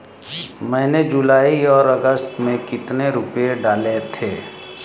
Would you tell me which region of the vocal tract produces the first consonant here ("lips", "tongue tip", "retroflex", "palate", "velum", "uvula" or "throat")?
lips